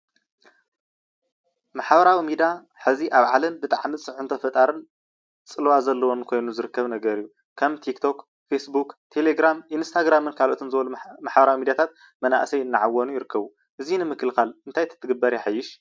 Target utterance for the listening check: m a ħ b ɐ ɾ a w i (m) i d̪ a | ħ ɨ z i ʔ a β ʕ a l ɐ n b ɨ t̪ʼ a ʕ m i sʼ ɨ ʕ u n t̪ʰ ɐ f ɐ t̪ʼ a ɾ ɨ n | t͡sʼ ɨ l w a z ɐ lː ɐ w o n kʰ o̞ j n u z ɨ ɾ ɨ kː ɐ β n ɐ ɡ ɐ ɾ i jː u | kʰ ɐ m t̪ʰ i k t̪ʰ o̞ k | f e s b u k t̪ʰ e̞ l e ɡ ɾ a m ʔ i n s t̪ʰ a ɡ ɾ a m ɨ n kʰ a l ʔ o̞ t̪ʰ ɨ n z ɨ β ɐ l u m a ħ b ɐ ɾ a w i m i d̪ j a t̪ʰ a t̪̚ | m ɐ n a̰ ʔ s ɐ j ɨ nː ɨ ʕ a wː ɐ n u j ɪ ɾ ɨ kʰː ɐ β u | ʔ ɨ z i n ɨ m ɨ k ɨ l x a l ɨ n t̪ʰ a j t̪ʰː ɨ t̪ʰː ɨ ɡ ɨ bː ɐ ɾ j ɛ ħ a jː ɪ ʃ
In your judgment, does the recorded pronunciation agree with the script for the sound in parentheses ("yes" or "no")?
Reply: yes